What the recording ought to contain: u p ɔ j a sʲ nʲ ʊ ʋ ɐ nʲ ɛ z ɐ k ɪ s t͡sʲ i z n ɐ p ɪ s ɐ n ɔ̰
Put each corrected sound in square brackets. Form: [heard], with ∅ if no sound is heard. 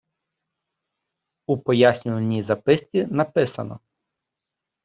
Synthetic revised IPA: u p ɔ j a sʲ nʲ ʊ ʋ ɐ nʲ [i] z ɐ [p] ɪ s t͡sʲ i [∅] n ɐ p ɪ s ɐ n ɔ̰